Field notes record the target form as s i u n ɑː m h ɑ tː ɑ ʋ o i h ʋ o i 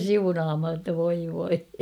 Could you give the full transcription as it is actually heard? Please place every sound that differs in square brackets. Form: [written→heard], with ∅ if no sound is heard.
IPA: s i u n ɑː m h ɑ tː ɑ ʋ o i [h→∅] ʋ o i